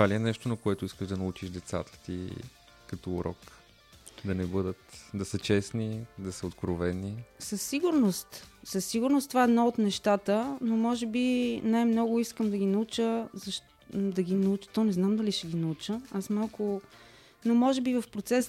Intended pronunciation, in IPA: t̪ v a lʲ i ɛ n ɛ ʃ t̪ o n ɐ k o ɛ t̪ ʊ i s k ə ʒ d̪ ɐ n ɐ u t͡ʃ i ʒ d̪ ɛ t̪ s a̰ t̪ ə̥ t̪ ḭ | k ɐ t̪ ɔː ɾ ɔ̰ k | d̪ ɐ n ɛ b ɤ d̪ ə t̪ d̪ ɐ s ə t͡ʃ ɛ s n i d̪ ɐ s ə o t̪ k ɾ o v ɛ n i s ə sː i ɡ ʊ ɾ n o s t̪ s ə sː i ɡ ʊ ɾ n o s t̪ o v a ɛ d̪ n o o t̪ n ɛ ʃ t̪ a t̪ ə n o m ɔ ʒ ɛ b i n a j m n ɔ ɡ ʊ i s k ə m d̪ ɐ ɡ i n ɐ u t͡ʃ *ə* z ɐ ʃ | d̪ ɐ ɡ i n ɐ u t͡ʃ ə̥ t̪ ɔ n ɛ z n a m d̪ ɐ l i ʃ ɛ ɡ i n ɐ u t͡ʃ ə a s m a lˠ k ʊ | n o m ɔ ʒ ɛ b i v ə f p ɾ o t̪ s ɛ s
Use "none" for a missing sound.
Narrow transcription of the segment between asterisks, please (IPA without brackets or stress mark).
ə